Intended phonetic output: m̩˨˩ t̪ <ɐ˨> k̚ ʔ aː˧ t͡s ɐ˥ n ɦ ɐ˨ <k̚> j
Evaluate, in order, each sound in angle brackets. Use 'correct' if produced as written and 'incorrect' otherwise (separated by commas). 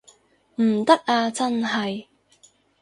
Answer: incorrect, incorrect